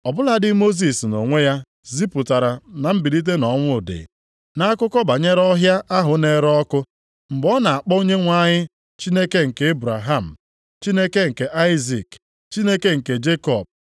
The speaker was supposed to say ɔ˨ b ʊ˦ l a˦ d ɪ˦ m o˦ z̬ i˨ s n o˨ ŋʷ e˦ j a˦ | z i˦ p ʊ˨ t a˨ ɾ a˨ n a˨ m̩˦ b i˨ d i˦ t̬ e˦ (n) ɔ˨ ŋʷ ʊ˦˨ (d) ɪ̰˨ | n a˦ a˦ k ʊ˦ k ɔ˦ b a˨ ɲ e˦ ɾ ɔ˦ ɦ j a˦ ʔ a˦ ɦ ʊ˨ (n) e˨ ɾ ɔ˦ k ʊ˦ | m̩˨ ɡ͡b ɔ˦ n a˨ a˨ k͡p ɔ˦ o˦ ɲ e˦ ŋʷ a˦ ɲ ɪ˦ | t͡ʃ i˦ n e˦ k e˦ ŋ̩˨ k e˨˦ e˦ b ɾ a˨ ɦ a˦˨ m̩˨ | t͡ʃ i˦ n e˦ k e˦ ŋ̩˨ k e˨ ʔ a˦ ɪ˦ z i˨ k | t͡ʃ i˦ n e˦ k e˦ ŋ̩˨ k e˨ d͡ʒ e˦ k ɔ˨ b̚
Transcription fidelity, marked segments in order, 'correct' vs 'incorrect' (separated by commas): correct, correct, correct